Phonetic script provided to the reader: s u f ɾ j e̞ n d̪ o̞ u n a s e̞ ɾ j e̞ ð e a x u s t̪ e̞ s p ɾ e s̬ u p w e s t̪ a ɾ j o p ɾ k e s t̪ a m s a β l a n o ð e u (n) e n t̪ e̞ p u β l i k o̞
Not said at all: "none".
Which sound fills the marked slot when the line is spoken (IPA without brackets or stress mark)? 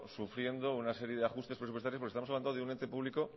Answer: n